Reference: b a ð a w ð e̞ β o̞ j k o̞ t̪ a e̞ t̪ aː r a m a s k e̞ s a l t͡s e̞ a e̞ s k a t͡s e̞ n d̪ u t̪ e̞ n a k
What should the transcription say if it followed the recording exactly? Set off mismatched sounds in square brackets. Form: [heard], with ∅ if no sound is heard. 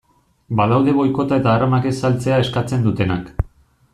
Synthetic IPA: b a ð a w ð e̞ β o̞ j k o̞ t̪ a e̞ t̪ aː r a m a [∅] k e̞ s a l t͡s e̞ a e̞ s k a t͡s e̞ n d̪ u t̪ e̞ n a k

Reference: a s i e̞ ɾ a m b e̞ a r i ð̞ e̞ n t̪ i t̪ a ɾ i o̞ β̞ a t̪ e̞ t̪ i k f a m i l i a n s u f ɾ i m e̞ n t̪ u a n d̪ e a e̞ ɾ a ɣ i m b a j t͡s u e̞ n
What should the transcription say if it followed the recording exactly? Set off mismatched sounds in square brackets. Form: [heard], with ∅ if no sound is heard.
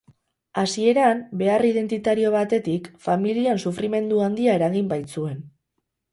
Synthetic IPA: a s i e̞ ɾ a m b e̞ a r i ð̞ e̞ n t̪ i t̪ a ɾ i o̞ β̞ a t̪ e̞ t̪ i k f a m i l i a n s u f ɾ i m e̞ n [d̪] u a n d̪ [i] a e̞ ɾ a ɣ i m b a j t͡s u e̞ n

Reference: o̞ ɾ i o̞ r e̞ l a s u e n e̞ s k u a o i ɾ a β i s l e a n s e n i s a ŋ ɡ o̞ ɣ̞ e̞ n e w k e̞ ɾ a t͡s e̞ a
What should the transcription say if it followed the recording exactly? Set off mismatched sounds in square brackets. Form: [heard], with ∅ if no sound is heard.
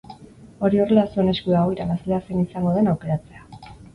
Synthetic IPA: o̞ ɾ i o̞ r e̞ l a s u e n e̞ s k u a o i ɾ a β [a] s l e a [∅] s e n i s a ŋ ɡ o̞ [ð̞] e̞ n [a] w k e̞ ɾ a t͡s e̞ a

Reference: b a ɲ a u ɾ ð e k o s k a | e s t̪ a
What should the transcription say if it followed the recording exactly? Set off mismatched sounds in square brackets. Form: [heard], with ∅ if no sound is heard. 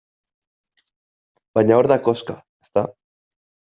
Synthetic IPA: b a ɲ a [o] ɾ ð [a] k o s k a | e s t̪ a

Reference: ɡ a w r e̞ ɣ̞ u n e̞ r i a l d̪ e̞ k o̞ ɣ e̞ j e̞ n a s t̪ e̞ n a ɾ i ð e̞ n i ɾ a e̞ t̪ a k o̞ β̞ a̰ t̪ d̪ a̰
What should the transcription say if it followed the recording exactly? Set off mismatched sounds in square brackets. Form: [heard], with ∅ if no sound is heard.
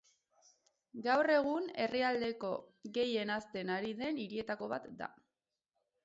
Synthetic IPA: ɡ a w r e̞ ɣ̞ u n e̞ r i a l d̪ e̞ k o̞ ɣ e̞ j e̞ n a s t̪ e̞ n a ɾ i ð e̞ n i ɾ [i] e̞ t̪ a k o̞ β̞ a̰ t̪ d̪ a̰

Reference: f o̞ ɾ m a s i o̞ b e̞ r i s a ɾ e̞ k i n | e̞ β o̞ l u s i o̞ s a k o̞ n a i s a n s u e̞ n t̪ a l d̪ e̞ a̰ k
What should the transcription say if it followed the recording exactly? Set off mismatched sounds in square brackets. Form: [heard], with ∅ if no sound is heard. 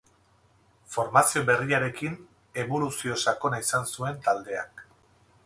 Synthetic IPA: f o̞ ɾ m a s i o̞ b e̞ r i [∅] a ɾ e̞ k i n | e̞ β o̞ l u s i o̞ s a k o̞ n a i s a n s u e̞ n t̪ a l d̪ e̞ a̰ k

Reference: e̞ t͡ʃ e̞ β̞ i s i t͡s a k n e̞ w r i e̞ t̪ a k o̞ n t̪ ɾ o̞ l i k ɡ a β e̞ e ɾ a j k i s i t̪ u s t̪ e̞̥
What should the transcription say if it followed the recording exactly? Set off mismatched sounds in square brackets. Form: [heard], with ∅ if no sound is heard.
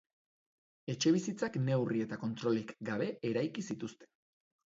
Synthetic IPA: e̞ t͡ʃ e̞ β̞ i s i t͡s a k n e̞ w r i e̞ t̪ a k o̞ n t̪ ɾ o̞ l i k ɡ a β e̞ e ɾ a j k i s i t̪ u s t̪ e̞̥

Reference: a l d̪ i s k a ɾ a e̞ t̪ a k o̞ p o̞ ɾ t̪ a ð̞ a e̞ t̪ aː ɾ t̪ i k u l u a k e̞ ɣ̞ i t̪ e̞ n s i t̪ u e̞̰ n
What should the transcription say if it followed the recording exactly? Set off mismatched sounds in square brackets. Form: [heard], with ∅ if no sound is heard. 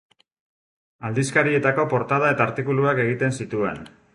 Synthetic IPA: a l d̪ i s k a ɾ [i] e̞ t̪ a k o̞ p o̞ ɾ t̪ a ð̞ a e̞ t̪ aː ɾ t̪ i k u l u a k e̞ ɣ̞ i t̪ e̞ n s i t̪ u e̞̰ n

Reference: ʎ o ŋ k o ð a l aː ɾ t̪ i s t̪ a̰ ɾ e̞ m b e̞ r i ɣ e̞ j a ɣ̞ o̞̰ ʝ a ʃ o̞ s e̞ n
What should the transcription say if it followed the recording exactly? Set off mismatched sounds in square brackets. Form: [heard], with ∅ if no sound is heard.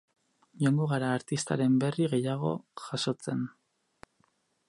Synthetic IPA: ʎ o ŋ [ɡ] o [ɣ] a [ɾ] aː ɾ t̪ i s t̪ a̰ ɾ e̞ m b e̞ r i ɣ e̞ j a ɣ̞ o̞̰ ʝ a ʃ o̞ [t͡s] e̞ n

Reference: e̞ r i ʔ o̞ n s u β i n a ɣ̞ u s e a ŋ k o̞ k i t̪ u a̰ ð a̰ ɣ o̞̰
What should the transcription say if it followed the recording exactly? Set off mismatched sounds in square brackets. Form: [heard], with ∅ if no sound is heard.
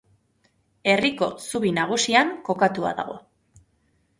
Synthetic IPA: e̞ r i [k] o̞ [∅] s u β i n a ɣ̞ u s [i] a ŋ k o̞ k [a] t̪ u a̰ ð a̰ ɣ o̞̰

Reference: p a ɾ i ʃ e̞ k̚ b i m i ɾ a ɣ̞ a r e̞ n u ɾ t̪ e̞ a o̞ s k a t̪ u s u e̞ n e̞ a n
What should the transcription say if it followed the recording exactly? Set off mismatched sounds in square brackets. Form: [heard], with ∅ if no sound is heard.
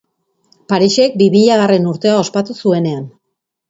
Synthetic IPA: p a ɾ i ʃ e̞ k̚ b i m i [ʎ] a ɣ̞ a r e̞ n u ɾ t̪ e̞ a o̞ s [p] a t̪ u s u e̞ n e̞ a n

